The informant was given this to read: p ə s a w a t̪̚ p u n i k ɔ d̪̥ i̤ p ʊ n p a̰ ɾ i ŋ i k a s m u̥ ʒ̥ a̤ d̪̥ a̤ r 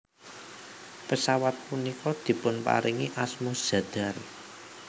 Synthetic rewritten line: p ə s a w a t̪̚ p u n i k ɔ d̪̥ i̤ p ʊ n p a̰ ɾ i ŋ i ʔ a s m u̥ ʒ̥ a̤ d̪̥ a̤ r

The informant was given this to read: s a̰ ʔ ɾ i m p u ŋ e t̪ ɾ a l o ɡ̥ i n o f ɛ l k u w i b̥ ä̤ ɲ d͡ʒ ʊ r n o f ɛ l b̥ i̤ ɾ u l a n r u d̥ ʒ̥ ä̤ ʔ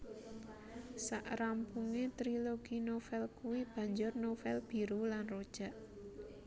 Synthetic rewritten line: s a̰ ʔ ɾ a m p u ŋ e t̪ ɾ i l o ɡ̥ i n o f ɛ l k u w i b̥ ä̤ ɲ d͡ʒ ʊ r n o f ɛ l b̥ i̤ ɾ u l a n r o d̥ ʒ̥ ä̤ ʔ

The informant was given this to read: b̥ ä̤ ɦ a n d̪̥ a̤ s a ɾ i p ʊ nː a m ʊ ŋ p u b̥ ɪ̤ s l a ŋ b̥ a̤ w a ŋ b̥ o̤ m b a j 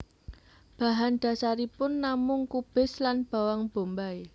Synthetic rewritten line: b̥ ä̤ ɦ a n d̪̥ a̤ s a ɾ i p ʊ nː a m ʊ ŋ k u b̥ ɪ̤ s l a n b̥ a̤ w a ŋ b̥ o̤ m b a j

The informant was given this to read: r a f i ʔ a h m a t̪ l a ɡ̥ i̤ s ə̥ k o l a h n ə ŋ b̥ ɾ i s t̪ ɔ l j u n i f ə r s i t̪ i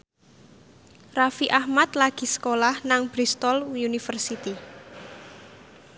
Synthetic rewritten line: r a f i ʔ a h m a t̪ l a ɡ̥ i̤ s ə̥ k o l a h n a ŋ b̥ ɾ i s t̪ ɔ l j u n i f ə r s i t̪ i

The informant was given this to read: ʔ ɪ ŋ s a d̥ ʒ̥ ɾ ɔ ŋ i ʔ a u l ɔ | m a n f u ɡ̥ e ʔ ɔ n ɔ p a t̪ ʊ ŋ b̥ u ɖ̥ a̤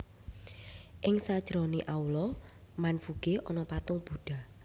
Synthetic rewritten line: ʔ ɪ ŋ s a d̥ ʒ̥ ɾ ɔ n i ʔ a u l ɔ | m a n f u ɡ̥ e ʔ ɔ n ɔ p a t̪ ʊ ŋ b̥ u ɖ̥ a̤

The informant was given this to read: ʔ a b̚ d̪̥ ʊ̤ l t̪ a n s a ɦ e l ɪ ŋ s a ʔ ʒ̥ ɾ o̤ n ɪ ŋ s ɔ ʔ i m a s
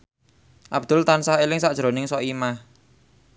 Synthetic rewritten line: ʔ a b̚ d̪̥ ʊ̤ l t̪ a n s a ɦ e l ɪ ŋ s a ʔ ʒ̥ ɾ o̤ n ɪ ŋ s ɔ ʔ i m a h

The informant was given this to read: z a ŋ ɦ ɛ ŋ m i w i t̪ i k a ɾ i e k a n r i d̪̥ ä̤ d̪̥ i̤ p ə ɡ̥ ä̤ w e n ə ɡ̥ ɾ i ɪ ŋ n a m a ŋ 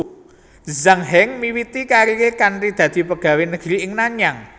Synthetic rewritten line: z a ŋ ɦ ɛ ŋ m i w i t̪ i k a ɾ i e k a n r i d̪̥ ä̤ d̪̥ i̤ p ə ɡ̥ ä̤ w e n ə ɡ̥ ɾ i ɪ ŋ n a ɲ a ŋ

